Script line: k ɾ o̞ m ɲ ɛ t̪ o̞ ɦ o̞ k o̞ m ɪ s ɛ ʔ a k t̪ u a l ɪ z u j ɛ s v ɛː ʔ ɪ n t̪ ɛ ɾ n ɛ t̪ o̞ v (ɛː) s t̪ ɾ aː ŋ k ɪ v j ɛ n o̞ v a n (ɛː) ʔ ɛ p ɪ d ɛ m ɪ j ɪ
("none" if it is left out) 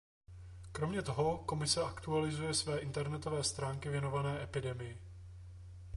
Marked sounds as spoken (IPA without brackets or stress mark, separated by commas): ɛː, ɛː